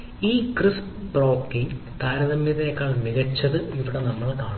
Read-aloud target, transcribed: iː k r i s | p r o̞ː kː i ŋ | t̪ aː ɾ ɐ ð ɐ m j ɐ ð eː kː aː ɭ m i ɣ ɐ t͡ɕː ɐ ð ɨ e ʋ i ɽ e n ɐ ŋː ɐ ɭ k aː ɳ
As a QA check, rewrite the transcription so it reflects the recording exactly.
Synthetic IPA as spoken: iː k r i s | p r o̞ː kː i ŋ | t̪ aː ɾ ɐ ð ɐ m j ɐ ð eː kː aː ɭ m i ɣ ɐ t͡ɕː ɐ ð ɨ i ʋ i ɽ e n ɐ mː ɐ ɭ k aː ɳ